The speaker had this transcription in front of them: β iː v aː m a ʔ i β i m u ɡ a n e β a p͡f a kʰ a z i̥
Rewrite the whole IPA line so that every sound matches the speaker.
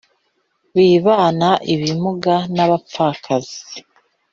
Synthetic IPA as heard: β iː β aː n a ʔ i β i m u ɡ a n a β a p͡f a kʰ a z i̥

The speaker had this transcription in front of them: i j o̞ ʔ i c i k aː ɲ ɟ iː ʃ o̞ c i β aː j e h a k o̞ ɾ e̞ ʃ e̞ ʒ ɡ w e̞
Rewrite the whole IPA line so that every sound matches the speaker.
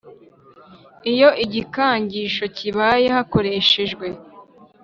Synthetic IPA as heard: i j o̞ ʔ i ɟ i k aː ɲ ɟ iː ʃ o̞ c i β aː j e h a k o̞ ɾ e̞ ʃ e̞ ʒ ɡ w e̞

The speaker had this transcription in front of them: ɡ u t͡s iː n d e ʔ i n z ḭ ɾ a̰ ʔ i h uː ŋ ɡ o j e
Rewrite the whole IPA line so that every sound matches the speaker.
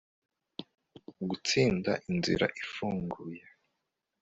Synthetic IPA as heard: ɡ u t͡s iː n d a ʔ i n z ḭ ɾ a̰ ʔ i f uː ŋ ɡ u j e

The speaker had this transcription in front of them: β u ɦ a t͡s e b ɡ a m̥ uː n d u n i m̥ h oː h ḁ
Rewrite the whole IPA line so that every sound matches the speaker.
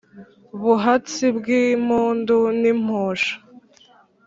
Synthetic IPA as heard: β u ɦ a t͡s i b ɡ i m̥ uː n d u n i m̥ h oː ʃ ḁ

